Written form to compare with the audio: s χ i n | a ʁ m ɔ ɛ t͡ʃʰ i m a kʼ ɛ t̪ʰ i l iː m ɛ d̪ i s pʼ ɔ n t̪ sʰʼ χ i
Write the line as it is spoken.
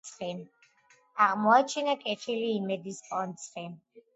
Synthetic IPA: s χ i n | a ʁ m ɔ a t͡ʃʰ i n a kʼ ɛ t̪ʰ i l iː m ɛ d̪ i s pʼ ɔ n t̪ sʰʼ χ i